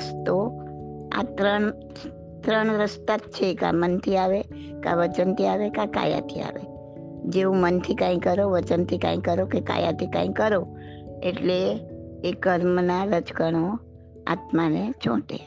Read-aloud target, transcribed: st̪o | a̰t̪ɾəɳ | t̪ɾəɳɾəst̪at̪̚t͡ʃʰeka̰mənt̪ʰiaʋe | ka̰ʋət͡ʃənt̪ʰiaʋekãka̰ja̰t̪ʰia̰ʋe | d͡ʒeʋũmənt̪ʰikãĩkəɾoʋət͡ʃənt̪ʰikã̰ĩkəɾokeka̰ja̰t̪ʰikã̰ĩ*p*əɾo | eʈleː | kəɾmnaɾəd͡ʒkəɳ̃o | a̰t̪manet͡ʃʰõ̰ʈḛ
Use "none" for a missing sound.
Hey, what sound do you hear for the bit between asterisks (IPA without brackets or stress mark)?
k